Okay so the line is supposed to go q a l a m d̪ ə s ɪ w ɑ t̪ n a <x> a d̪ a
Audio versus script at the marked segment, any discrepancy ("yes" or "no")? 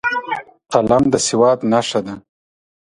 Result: yes